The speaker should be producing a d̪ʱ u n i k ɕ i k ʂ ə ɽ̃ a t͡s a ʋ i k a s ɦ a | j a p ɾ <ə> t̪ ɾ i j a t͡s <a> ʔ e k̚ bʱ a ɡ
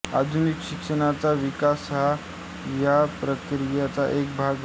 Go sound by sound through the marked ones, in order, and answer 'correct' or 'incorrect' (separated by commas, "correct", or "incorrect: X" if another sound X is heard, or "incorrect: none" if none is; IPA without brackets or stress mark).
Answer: correct, correct